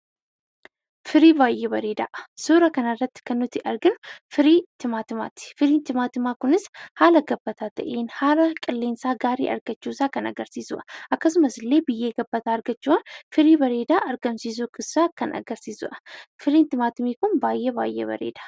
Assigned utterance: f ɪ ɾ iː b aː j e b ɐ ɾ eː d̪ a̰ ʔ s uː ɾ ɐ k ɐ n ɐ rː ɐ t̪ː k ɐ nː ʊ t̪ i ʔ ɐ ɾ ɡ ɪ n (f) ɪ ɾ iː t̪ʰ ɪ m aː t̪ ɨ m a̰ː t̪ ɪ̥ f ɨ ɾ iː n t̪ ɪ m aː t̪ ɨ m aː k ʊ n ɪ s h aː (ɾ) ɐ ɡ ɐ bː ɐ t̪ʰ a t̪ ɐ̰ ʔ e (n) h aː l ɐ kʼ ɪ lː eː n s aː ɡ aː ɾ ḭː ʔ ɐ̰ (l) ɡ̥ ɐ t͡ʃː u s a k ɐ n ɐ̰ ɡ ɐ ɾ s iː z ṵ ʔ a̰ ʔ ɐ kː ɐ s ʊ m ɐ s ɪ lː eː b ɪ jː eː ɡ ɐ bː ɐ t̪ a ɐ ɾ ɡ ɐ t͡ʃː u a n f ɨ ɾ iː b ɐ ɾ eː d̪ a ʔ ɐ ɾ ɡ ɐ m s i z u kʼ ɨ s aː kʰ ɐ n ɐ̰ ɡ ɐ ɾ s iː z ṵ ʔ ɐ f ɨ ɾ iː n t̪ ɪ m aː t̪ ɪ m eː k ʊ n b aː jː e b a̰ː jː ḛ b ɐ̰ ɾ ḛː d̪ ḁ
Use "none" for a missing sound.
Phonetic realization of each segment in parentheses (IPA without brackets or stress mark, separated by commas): f, l, n, ɾ